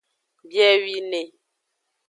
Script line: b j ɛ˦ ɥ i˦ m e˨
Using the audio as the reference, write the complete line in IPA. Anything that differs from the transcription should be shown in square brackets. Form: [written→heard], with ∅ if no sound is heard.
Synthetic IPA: b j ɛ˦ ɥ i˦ [m→n] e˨